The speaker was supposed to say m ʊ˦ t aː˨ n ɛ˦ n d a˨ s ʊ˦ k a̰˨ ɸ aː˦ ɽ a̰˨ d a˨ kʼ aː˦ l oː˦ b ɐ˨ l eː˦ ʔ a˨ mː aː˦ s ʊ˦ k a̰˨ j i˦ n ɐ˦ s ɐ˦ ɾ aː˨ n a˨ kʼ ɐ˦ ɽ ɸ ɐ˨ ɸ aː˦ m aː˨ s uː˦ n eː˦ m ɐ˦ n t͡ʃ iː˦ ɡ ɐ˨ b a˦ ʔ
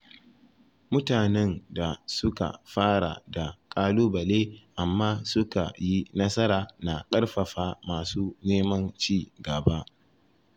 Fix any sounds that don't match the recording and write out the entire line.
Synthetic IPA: m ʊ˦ t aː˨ n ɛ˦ n d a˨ s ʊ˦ k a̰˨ ɸ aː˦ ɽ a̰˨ d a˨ kʼ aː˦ l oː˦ b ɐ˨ l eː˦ ʔ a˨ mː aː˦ s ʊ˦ k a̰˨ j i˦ n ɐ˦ s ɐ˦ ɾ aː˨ n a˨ kʼ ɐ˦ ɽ ɸ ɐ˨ ɸ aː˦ m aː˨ s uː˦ n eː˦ m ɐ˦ n t͡ʃ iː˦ ɡ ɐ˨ b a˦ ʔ

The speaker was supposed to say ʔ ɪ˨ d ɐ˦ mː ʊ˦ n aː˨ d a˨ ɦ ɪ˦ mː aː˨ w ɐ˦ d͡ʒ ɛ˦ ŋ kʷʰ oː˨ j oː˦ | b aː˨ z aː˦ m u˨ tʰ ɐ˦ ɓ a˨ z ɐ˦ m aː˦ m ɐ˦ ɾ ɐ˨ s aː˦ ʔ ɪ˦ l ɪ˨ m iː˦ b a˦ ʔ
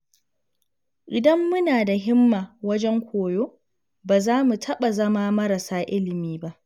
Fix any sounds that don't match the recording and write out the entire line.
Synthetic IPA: ʔ ɪ˨ d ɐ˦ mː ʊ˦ n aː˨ d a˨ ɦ ɪ˦ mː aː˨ w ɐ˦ d͡ʒ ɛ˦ ŋ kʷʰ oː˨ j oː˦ | b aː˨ z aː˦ m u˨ tʰ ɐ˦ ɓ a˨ z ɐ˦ m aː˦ m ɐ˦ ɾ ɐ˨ s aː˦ ʔ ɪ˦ l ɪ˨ m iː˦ b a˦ ʔ

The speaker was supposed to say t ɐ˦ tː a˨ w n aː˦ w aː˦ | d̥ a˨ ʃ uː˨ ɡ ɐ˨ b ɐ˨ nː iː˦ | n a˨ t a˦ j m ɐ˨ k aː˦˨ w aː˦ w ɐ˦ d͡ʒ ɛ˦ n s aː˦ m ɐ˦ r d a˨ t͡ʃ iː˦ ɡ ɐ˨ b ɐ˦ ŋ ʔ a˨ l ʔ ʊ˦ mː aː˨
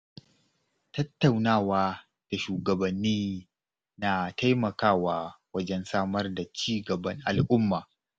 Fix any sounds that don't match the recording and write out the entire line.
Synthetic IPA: t ɐ˦ tː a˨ w n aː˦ w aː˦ | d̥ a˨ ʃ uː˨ ɡ ɐ˨ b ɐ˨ nː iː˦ | n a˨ t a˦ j m ɐ˨ k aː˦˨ w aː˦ w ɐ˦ d͡ʒ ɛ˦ n s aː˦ m ɐ˦ r d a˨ t͡ʃ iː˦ ɡ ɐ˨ b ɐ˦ ŋ ʔ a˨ l ʔ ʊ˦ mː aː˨

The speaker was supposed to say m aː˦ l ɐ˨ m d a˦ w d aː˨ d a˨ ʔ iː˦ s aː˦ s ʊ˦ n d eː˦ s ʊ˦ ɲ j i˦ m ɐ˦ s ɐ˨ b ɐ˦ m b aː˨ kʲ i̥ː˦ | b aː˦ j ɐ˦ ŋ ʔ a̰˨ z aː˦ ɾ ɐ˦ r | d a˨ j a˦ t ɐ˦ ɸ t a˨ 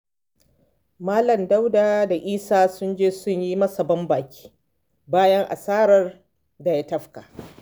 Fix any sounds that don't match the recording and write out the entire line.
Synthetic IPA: m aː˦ l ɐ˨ m d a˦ w d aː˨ d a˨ ʔ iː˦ s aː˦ s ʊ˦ n d͡ʒ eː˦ s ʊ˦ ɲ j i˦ m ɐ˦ s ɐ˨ b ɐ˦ m b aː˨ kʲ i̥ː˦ | b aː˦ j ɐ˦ ŋ ʔ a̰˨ s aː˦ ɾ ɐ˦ r | d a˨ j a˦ t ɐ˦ ɸ k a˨

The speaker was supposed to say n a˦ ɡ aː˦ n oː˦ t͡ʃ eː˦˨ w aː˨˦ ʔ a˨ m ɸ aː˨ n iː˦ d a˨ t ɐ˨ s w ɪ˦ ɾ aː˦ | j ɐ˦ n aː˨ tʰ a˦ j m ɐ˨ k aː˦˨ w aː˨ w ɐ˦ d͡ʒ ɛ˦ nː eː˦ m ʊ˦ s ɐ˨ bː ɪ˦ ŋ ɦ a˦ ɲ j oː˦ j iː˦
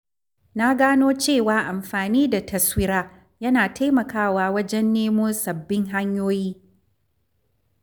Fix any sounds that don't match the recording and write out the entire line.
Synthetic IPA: n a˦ ɡ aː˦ n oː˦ t͡ʃ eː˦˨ w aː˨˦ ʔ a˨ m ɸ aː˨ n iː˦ d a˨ t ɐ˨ s w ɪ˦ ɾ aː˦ | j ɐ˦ n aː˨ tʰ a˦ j m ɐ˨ k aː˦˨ w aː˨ w ɐ˦ d͡ʒ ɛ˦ nː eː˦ m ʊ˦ s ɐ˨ bː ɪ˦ ŋ ɦ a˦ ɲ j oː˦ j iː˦

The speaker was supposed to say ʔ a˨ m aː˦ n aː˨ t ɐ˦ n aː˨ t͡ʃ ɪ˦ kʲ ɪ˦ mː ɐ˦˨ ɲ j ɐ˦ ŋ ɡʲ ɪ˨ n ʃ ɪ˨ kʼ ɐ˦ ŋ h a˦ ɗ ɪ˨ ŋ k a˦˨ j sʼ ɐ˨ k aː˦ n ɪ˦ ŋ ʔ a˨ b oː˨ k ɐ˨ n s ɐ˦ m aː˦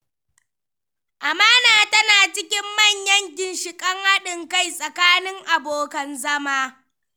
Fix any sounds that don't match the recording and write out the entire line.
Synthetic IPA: ʔ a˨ m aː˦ n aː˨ t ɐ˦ n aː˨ t͡ʃ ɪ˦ kʲ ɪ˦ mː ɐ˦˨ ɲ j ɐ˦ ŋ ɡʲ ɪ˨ n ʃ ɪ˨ kʼ ɐ˦ ŋ h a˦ ɗ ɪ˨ ŋ k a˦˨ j sʼ ɐ˨ k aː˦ n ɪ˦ ŋ ʔ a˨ b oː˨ k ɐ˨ n z ɐ˦ m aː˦

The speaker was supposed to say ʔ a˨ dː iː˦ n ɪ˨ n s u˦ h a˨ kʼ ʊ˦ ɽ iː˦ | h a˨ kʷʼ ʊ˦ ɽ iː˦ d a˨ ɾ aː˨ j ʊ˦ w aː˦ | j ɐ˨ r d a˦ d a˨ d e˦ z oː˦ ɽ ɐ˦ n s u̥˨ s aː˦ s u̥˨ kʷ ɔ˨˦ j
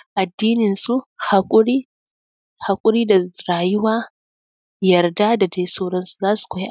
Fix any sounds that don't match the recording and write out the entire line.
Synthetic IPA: ʔ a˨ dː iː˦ n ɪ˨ n s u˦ h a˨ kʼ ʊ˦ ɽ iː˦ | h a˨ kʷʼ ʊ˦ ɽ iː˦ d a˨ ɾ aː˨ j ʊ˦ w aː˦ | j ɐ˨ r d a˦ d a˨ d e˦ s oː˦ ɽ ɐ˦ n s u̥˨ z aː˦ s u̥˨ kʷ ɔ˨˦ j

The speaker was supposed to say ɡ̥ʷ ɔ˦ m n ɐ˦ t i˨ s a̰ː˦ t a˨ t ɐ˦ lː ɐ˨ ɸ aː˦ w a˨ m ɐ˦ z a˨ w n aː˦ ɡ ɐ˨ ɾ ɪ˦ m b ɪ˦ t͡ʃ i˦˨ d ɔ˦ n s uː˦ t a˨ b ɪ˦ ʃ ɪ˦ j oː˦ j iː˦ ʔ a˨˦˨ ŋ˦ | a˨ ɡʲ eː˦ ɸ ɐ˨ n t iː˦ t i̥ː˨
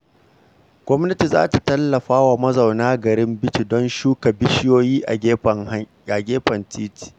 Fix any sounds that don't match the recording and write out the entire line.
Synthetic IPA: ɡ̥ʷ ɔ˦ m n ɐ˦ t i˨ z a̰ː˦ t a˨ t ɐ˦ lː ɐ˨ ɸ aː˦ w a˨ m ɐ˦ z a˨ w n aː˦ ɡ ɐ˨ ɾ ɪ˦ m b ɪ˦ t͡ʃ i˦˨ d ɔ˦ n ʃ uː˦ k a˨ b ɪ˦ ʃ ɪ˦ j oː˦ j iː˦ ʔ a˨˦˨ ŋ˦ | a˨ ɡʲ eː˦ ɸ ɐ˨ n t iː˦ t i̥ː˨

